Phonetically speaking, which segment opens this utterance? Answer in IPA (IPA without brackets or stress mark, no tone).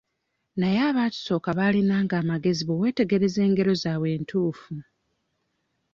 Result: n